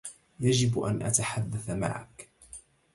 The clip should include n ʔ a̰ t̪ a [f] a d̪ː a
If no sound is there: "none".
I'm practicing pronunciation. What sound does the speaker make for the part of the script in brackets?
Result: ħ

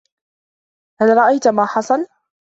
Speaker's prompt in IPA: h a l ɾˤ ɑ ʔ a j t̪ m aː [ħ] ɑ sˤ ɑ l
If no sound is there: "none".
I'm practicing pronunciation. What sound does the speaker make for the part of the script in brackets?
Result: ħ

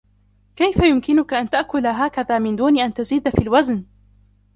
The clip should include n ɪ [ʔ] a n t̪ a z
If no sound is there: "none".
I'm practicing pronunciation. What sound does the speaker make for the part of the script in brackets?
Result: ʔ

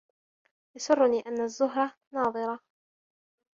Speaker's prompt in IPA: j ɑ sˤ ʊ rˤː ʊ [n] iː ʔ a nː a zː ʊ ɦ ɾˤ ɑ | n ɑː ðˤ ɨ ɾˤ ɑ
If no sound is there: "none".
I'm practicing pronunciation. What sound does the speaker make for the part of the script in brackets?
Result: n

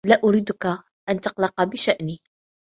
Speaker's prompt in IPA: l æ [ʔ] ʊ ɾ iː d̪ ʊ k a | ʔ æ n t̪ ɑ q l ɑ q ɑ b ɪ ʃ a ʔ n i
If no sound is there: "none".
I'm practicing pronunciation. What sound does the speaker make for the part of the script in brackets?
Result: ʔ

